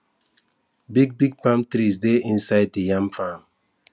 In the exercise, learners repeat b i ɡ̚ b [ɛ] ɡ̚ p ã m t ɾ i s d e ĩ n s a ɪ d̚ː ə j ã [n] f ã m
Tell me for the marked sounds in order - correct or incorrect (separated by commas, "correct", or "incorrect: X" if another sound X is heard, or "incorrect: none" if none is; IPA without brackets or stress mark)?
incorrect: i, incorrect: ŋ